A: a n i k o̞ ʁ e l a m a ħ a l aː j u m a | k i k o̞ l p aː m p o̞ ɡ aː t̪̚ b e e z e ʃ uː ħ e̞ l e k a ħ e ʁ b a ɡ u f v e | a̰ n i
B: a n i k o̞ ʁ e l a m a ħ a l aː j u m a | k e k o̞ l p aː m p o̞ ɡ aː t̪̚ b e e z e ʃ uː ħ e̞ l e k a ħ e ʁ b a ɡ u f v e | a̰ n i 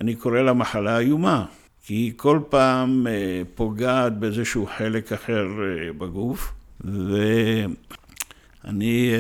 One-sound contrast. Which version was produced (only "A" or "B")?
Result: A